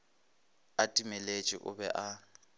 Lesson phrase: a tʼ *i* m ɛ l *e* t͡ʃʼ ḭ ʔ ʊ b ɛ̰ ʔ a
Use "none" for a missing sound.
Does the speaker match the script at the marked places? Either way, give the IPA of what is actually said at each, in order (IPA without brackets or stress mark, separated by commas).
i, e